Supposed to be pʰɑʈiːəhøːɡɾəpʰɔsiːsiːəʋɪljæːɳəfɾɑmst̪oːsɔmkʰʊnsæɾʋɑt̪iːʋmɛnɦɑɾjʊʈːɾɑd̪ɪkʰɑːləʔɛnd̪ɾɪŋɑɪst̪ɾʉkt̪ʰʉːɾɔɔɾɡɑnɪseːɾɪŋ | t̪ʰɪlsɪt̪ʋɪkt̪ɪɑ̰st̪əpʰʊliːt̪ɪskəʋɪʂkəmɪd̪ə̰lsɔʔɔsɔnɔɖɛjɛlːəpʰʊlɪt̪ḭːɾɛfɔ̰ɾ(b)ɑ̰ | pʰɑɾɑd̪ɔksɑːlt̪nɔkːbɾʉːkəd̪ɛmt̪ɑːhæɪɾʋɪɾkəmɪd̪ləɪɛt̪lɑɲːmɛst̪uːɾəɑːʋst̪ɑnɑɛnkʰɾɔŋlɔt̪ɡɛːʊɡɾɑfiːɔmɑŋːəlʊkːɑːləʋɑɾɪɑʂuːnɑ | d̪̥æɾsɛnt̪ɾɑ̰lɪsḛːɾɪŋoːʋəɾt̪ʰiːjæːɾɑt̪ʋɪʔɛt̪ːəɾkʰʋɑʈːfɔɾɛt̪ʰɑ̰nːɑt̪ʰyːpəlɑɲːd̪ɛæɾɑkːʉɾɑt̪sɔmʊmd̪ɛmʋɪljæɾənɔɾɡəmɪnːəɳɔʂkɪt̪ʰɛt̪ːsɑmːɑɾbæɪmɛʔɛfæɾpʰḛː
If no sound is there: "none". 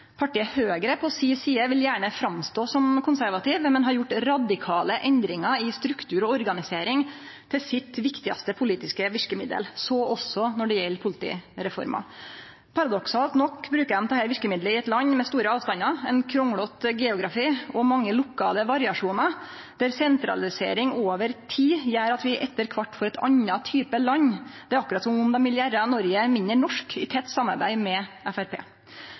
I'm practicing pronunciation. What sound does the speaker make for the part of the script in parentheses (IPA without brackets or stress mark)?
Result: m